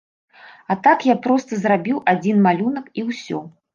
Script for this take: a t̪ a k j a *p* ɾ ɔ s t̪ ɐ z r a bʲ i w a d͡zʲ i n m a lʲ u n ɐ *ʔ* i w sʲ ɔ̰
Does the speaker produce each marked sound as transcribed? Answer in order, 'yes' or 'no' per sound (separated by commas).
yes, no